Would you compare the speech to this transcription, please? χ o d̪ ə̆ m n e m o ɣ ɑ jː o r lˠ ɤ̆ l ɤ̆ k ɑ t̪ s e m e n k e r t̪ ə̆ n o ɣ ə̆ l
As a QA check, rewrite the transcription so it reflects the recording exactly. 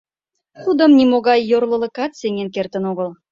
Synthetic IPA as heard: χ u d̪ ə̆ m n i m o ɣ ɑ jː o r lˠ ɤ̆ l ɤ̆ k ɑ t̪ s e ŋ e n k e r t̪ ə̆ n o ɣ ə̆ l